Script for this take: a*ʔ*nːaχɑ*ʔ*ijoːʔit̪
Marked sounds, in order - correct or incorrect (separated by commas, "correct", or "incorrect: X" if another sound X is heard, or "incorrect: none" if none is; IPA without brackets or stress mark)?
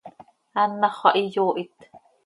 incorrect: none, correct